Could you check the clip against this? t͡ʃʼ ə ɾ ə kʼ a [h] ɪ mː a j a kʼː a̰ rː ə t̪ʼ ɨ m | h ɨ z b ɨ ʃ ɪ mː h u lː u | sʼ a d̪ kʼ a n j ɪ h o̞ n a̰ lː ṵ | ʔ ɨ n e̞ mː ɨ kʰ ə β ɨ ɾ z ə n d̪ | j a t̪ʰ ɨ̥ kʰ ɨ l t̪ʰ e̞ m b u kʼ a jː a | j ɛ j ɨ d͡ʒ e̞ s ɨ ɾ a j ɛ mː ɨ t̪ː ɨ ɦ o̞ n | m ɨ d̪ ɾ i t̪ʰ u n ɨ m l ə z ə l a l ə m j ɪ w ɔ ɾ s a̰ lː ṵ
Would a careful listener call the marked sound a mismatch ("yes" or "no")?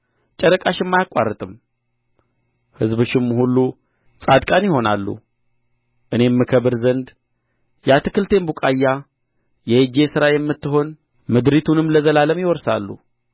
yes